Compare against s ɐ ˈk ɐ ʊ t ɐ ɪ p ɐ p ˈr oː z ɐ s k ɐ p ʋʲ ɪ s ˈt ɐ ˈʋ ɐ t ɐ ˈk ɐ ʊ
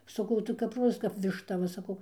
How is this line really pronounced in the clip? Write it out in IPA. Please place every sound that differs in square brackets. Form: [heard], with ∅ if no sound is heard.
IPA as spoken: s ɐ ˈk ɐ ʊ t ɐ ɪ [k] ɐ p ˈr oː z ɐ s k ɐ p ʋʲ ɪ [ʃ] ˈt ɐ ˈʋ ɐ [s] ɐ ˈk ɐ ʊ